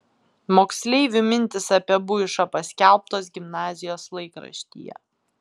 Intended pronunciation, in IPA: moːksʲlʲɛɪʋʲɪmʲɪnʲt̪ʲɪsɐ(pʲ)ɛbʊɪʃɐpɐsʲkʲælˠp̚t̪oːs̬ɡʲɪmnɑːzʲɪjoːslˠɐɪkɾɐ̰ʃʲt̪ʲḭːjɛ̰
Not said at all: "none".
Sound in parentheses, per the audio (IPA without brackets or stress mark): pʲ